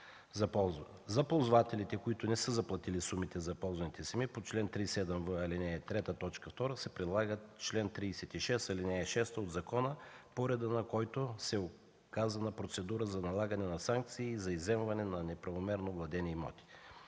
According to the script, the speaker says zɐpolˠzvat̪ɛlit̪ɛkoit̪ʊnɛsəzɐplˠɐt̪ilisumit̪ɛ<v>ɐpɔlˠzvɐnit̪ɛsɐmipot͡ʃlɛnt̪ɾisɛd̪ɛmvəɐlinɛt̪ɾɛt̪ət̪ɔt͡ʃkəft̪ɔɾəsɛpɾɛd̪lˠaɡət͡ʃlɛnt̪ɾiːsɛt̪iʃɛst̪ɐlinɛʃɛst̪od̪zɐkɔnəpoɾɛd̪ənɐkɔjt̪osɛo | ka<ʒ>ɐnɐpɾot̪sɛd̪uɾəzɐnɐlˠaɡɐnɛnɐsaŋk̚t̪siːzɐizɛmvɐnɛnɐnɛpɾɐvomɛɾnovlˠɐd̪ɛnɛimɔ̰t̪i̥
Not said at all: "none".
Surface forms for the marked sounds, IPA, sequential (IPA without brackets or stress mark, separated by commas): z, z